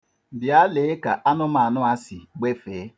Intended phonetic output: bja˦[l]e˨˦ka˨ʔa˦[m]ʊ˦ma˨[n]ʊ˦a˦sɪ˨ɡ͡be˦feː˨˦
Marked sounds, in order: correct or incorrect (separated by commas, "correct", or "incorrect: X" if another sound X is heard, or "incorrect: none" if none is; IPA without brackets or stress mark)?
correct, incorrect: n, correct